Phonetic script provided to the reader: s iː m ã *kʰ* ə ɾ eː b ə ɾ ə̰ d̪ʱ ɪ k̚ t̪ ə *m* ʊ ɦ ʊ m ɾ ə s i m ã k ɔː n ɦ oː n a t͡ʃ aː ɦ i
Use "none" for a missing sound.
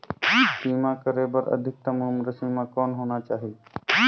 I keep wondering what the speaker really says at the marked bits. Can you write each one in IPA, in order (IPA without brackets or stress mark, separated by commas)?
k, m